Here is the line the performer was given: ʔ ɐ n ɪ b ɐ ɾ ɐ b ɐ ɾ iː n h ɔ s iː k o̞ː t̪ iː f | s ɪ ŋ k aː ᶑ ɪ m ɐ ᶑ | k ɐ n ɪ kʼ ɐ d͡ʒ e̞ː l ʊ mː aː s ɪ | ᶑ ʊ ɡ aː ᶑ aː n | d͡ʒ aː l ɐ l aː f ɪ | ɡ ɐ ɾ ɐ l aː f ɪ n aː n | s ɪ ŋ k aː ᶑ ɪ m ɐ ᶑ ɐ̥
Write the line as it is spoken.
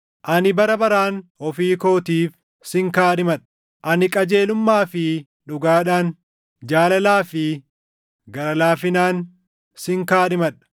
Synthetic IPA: ʔ ɐ n ɪ b ɐ ɾ ɐ b ɐ ɾ aː n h ɔ f iː k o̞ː t̪ iː f | s ɪ ŋ k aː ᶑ ɪ m ɐ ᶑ | ʔ ɐ n ɪ kʼ ɐ d͡ʒ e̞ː l ʊ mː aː f ɪ | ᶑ ʊ ɡ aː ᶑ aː n | d͡ʒ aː l ɐ l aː f ɪ | ɡ ɐ ɾ ɐ l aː f ɪ n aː n | s ɪ ŋ k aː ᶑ ɪ m ɐ ᶑ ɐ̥